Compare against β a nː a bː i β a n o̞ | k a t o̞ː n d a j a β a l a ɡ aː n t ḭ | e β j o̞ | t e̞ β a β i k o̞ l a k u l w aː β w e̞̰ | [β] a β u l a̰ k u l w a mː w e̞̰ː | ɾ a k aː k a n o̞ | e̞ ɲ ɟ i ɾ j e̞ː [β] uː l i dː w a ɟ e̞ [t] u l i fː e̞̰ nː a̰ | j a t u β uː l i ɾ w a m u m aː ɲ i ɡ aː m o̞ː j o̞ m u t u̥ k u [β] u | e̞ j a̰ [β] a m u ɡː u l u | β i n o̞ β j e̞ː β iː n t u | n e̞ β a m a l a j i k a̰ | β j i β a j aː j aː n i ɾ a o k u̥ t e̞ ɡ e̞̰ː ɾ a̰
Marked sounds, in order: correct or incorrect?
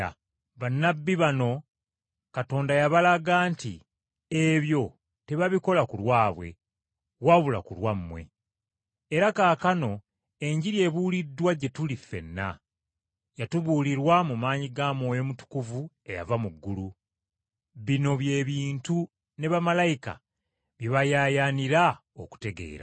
incorrect: w, correct, correct, incorrect: v, incorrect: v

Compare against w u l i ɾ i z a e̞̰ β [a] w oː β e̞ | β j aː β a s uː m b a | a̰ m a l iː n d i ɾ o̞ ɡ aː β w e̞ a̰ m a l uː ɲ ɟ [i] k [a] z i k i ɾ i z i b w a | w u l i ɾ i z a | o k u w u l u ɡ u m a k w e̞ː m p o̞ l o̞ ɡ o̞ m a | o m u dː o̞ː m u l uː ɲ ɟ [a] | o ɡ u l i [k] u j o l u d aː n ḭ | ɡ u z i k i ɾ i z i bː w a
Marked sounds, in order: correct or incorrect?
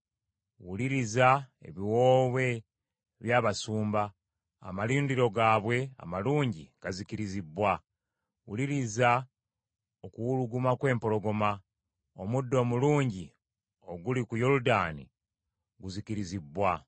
incorrect: i, correct, correct, incorrect: i, correct

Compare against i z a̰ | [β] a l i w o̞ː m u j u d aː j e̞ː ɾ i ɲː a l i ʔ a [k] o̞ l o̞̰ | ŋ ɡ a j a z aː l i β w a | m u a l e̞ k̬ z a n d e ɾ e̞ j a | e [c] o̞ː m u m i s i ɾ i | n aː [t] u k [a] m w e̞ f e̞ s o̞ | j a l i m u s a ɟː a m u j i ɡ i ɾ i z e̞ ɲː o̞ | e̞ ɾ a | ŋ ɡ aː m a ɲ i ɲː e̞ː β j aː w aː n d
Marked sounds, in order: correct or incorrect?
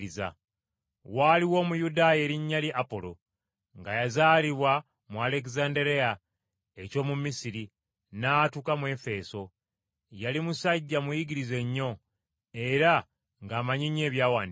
incorrect: w, incorrect: p, correct, correct, correct

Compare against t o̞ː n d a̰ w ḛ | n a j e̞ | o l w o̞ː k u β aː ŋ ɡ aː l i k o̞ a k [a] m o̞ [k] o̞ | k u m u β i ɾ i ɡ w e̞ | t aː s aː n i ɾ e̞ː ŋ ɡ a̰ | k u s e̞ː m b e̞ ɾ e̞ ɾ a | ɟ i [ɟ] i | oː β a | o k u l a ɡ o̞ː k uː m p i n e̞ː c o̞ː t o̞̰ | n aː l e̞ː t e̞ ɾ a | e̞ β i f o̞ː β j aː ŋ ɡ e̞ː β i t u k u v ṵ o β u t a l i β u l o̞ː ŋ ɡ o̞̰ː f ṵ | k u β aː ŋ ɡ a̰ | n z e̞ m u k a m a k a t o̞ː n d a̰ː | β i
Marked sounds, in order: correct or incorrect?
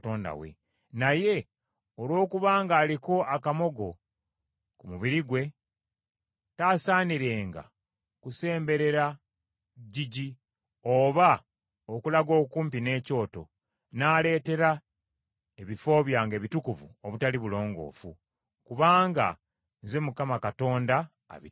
correct, incorrect: ɡ, correct

